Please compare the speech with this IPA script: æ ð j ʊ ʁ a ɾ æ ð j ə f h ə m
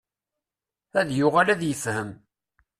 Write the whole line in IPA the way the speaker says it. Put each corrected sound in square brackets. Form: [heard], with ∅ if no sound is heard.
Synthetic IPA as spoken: æ ð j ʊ ʁ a [l] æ ð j ə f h ə m